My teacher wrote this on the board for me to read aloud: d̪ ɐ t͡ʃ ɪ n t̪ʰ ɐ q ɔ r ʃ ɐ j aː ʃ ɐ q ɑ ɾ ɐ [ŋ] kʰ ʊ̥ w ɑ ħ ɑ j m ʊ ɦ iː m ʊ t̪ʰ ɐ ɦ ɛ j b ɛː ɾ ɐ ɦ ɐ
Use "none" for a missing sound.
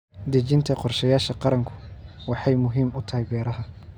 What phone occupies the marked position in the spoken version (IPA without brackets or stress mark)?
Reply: ŋ